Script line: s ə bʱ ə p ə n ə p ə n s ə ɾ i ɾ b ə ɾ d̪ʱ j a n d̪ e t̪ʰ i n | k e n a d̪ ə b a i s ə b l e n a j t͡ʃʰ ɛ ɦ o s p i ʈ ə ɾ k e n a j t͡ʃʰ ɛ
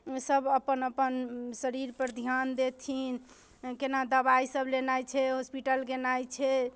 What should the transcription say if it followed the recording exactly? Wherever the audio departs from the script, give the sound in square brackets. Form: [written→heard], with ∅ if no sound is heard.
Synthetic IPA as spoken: s ə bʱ ə p ə n ə p ə n s ə ɾ i ɾ [b→p] ə ɾ d̪ʱ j a n d̪ e t̪ʰ i n | k e n a d̪ ə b a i s ə b l e n a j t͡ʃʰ ɛ ɦ o s p i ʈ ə [ɾ→l] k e n a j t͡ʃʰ ɛ